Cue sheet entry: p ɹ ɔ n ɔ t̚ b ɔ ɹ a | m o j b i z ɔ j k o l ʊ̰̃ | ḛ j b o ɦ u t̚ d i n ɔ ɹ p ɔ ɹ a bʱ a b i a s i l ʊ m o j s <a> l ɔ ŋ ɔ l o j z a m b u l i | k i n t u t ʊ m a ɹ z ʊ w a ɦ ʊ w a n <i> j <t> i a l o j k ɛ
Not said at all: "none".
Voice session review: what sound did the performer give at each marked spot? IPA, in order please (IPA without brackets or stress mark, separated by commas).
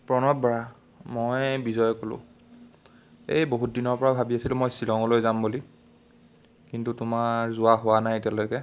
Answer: i, a, t